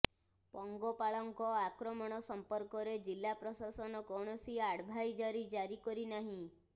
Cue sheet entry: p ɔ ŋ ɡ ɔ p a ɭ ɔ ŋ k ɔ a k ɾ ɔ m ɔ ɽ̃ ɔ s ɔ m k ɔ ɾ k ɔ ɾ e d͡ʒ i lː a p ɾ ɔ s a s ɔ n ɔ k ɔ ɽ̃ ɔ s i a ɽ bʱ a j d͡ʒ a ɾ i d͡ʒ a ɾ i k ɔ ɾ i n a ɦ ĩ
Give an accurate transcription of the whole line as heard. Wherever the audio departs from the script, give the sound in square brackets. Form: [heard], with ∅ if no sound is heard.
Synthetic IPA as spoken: p ɔ ŋ ɡ ɔ p a ɭ ɔ ŋ k ɔ a k ɾ ɔ m ɔ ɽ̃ ɔ s ɔ m [p] ɔ ɾ k ɔ ɾ e d͡ʒ i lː a p ɾ ɔ s a s ɔ n ɔ k ɔ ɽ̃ ɔ s i a ɽ bʱ a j d͡ʒ a ɾ i d͡ʒ a ɾ i k ɔ ɾ i n a ɦ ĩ